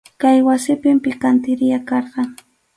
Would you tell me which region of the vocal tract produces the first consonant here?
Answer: velum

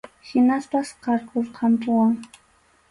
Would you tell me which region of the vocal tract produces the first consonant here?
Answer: throat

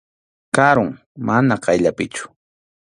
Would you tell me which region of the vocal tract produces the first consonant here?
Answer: velum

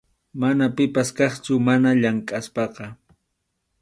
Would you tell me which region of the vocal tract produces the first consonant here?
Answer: lips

